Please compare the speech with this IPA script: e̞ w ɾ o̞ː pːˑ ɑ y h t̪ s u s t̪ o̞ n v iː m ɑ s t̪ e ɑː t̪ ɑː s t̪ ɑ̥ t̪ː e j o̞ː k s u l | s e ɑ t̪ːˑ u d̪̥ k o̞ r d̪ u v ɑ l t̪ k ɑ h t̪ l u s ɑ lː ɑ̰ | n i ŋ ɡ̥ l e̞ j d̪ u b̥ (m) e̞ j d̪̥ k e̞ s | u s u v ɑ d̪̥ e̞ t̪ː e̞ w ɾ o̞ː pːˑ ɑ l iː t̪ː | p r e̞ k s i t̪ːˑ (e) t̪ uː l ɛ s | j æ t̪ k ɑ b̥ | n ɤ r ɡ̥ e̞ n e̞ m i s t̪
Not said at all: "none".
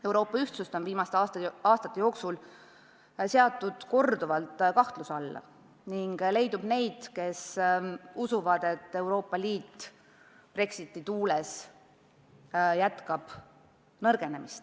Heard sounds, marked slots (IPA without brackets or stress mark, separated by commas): n, i